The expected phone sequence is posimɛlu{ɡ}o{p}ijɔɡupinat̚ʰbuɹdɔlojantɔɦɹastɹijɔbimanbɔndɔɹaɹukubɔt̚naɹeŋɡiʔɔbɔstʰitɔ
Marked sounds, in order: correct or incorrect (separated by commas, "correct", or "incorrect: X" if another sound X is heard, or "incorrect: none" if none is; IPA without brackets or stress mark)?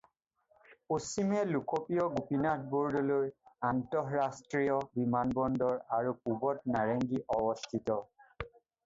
incorrect: k, correct